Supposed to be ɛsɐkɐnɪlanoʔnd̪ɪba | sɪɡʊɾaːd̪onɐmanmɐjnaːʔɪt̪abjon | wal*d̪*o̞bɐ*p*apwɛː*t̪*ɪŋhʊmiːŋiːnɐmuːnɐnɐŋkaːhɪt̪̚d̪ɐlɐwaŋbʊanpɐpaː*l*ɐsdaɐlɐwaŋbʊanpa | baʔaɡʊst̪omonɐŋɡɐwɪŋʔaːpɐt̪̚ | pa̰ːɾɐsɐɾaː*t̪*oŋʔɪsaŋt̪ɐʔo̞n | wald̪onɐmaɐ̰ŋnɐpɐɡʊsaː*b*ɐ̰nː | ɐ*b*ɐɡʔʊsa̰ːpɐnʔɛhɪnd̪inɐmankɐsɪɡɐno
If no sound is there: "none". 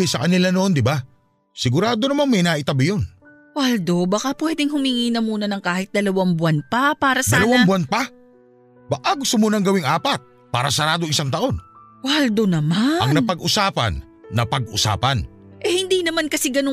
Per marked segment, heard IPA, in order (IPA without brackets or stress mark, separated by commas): d̪, k, d̪, ɾ, d̪, p, p